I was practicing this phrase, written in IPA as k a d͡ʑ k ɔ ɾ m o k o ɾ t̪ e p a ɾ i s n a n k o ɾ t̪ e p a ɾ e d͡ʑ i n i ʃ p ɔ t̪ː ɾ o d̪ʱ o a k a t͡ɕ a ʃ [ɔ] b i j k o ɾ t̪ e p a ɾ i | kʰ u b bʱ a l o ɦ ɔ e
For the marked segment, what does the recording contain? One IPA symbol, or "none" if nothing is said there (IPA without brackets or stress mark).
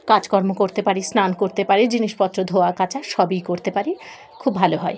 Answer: ɔ